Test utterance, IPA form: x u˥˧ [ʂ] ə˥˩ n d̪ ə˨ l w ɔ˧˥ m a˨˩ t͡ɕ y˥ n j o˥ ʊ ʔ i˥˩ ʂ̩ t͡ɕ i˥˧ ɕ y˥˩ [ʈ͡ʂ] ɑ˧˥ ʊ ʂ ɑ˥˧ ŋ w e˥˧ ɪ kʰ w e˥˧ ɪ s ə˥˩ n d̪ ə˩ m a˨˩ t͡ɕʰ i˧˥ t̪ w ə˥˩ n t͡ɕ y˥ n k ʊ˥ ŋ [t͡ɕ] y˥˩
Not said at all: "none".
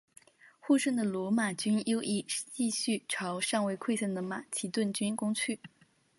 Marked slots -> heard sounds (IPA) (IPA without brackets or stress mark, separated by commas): ʂ, ʈ͡ʂʰ, t͡ɕʰ